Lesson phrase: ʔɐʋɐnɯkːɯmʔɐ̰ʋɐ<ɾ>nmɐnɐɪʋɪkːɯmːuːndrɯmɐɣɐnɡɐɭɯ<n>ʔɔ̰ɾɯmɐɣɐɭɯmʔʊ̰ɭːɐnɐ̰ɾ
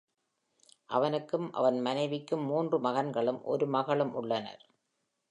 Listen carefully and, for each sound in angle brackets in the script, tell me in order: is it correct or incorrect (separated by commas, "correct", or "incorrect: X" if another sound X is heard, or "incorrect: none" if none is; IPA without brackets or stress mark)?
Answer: incorrect: none, incorrect: m